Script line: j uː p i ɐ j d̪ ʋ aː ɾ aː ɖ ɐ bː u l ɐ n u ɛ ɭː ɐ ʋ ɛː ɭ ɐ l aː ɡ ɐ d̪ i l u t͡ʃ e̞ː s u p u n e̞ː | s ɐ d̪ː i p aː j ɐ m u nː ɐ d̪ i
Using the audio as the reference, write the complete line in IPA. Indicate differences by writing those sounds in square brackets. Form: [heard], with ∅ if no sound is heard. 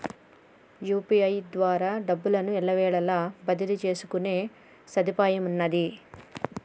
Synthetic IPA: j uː p i ɐ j d̪ ʋ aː ɾ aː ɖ ɐ bː u l ɐ n u ɛ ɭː ɐ ʋ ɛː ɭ ɐ l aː [b] ɐ d̪ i l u t͡ʃ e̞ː s u [k] u n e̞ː | s ɐ [d̪] i p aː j ɐ m u nː ɐ d̪ i